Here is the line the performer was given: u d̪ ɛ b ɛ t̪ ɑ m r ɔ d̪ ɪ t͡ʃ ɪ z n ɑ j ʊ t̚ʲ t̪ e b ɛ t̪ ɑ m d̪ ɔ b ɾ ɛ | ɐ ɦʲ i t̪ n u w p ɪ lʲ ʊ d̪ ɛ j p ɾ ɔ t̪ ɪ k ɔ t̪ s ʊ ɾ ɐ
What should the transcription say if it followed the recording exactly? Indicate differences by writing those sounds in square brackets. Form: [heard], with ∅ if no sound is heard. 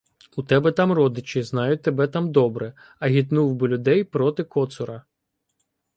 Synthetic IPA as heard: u [t̪] ɛ b ɛ t̪ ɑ m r ɔ d̪ ɪ t͡ʃ ɪ z n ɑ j ʊ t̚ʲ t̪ e b ɛ t̪ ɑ m d̪ ɔ b ɾ ɛ | ɐ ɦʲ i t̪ n u w [b] ɪ lʲ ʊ d̪ ɛ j p ɾ ɔ t̪ ɪ k ɔ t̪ s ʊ ɾ ɐ